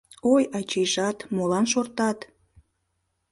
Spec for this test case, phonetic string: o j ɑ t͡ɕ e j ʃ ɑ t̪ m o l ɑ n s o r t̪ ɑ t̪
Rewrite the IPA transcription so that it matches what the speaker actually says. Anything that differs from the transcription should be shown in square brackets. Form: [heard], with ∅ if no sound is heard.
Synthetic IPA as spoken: o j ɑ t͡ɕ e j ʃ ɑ t̪ m o l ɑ n [ʃ] o r t̪ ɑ t̪